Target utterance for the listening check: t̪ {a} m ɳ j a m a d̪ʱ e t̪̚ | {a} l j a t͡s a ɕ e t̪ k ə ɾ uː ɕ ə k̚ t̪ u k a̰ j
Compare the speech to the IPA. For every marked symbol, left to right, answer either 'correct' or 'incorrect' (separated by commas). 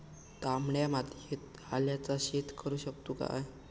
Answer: correct, correct